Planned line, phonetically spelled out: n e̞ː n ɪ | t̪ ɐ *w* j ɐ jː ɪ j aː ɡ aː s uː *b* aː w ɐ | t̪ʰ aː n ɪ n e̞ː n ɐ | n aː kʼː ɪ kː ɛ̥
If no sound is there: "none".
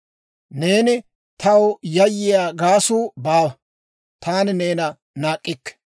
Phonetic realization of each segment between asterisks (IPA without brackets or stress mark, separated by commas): w, b